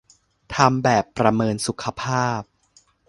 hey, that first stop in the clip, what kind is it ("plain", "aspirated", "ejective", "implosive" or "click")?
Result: aspirated